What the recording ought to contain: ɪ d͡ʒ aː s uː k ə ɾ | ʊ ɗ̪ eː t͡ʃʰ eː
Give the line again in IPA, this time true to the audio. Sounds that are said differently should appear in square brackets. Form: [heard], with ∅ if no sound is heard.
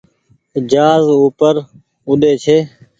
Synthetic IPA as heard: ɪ d͡ʒ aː [z] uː [p] ə ɾ | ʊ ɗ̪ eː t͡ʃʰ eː

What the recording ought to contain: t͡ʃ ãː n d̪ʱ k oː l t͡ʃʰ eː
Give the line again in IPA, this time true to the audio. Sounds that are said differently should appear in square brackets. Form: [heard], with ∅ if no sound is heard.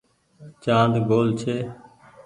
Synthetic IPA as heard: t͡ʃ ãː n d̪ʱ [ɡ] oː l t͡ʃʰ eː

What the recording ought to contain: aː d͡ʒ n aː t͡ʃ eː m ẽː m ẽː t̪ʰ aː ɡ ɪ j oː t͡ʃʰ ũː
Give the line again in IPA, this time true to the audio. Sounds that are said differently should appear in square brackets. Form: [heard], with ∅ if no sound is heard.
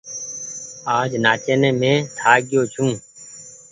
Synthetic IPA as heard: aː d͡ʒ n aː t͡ʃ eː [n] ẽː m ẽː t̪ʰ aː ɡ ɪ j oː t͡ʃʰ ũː

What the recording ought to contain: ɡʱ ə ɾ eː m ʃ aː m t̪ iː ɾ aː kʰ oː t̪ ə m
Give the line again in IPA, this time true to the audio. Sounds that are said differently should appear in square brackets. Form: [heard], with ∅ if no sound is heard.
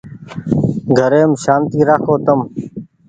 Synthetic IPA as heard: ɡʱ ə ɾ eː m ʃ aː [n] t̪ iː ɾ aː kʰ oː t̪ ə m

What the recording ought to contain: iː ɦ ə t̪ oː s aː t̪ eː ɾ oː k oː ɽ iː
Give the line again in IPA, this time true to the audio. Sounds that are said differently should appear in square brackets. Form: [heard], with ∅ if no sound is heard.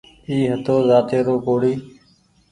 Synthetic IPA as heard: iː ɦ ə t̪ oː [z] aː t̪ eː ɾ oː k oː ɽ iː

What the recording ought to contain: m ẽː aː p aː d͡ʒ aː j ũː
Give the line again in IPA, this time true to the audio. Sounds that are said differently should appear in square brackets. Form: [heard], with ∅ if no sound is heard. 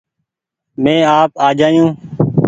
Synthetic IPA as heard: m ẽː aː p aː d͡ʒ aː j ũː

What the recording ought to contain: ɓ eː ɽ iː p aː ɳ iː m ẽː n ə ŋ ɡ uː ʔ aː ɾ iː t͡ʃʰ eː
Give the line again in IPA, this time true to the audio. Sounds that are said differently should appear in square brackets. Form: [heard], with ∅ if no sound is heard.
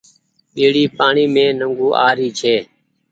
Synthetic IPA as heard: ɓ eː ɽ iː p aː ɳ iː m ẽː n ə ŋ ɡ uː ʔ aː ɾ iː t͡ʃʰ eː

